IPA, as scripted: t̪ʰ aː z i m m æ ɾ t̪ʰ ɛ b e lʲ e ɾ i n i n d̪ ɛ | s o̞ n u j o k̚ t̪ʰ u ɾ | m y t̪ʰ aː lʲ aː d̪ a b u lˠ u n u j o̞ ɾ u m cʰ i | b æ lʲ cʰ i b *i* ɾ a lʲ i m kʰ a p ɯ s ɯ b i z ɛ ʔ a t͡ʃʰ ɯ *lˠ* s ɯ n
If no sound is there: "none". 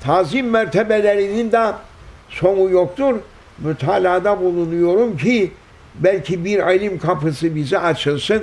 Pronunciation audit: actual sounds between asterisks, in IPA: i, lˠ

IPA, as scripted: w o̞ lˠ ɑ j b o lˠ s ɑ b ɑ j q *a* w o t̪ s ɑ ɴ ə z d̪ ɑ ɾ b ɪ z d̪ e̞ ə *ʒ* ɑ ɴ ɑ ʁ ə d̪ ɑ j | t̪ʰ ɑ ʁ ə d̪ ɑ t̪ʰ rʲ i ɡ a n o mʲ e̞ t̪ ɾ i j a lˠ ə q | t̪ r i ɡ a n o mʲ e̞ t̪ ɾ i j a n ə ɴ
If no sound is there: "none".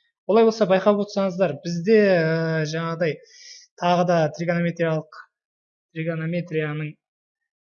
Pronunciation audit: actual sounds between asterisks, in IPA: ɑ, ʒ

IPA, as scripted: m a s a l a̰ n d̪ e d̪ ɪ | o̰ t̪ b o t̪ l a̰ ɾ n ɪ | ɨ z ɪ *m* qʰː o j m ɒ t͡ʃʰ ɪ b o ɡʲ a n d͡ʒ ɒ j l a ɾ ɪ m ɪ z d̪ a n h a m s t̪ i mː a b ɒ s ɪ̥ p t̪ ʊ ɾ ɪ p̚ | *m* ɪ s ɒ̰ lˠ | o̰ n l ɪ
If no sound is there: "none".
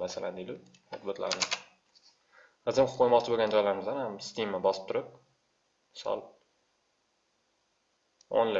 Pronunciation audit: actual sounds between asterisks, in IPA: m, m

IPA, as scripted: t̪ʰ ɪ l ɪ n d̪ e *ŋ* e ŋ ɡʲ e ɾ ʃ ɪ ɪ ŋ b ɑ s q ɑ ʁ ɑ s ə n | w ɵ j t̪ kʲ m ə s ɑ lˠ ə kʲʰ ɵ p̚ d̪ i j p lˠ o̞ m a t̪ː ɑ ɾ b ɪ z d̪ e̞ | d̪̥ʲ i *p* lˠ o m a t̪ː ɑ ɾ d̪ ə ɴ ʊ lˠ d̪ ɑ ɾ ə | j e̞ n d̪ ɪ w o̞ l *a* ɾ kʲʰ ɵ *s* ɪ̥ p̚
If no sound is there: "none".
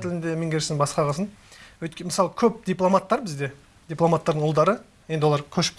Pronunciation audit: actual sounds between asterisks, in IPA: m, p, ɑ, ʃ

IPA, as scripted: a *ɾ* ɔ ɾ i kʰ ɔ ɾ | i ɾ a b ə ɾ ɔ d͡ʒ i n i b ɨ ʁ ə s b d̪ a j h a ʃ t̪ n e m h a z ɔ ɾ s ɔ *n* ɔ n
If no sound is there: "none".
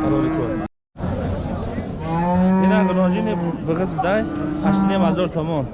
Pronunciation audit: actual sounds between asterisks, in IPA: ɾ, m

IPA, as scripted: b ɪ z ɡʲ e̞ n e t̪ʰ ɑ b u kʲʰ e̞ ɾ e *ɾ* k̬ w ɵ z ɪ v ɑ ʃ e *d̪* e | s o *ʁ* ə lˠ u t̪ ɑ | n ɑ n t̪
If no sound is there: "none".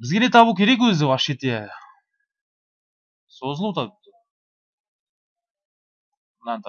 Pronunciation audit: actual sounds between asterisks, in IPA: none, t̪, z

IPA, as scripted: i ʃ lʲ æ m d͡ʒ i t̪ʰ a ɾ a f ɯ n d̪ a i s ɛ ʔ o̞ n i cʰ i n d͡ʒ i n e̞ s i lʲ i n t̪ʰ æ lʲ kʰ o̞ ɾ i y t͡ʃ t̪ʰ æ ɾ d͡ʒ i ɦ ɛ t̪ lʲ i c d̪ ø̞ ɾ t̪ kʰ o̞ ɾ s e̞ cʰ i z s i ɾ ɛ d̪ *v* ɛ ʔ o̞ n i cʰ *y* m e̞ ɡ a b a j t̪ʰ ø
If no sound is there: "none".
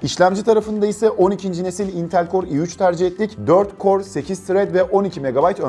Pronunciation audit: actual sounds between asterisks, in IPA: v, i

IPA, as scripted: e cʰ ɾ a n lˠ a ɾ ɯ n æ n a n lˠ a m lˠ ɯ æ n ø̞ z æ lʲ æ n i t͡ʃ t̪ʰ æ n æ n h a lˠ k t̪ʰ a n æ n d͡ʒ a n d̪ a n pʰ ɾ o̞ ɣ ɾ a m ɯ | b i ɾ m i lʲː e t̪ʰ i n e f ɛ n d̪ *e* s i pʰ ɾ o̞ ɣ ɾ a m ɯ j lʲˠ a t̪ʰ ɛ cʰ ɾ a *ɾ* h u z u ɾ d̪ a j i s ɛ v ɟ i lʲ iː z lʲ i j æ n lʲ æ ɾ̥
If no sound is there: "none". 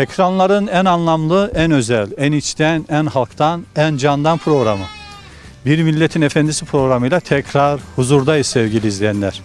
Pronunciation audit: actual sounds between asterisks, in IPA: i, ɾ

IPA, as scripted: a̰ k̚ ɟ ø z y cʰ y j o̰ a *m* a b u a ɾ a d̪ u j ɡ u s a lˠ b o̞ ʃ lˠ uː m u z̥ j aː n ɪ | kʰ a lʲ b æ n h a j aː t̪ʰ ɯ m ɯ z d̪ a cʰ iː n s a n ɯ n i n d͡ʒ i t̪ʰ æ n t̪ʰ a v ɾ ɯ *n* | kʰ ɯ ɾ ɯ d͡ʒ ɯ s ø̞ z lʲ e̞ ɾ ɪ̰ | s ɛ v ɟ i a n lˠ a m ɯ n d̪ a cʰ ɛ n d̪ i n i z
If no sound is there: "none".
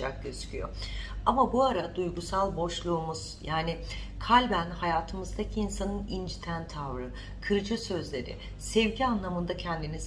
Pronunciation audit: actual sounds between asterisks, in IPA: m, none

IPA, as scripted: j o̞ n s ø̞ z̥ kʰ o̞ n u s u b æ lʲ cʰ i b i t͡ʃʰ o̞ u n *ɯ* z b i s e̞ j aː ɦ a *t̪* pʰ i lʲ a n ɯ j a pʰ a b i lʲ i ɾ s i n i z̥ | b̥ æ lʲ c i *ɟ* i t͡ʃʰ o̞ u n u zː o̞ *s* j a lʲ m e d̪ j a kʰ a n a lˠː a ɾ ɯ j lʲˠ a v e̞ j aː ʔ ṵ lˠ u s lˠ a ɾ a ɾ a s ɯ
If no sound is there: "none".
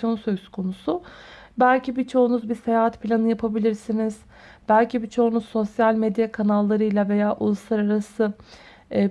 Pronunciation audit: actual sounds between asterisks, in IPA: u, t̪, b, s

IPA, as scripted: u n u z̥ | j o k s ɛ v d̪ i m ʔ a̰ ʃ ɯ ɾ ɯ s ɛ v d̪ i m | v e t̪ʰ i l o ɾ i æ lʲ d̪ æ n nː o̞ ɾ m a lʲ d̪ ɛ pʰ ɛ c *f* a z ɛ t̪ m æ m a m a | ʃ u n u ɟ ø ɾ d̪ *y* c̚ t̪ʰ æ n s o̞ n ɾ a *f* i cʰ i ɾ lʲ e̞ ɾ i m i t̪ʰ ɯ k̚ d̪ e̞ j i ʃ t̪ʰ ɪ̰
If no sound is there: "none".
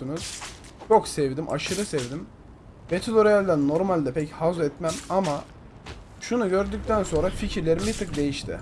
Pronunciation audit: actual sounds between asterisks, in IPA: h, y, f

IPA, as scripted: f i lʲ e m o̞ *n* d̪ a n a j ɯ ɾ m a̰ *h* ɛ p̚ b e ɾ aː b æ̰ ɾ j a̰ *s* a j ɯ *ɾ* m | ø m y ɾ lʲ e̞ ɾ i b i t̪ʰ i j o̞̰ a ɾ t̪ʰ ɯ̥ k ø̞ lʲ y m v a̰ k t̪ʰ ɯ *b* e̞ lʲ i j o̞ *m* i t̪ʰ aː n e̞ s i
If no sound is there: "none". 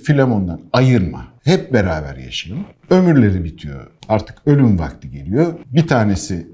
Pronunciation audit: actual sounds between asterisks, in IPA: n, h, ʃ, none, ɟ, b

